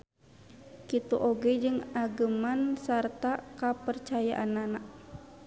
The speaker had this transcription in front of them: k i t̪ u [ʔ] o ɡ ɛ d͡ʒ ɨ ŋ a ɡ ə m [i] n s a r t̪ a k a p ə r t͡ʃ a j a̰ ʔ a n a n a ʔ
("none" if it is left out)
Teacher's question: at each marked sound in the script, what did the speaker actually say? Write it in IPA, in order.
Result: ʔ, a

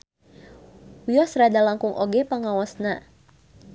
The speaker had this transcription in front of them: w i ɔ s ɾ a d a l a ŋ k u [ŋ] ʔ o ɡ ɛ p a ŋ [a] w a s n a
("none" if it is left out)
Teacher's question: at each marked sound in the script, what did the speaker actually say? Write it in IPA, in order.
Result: ŋ, a

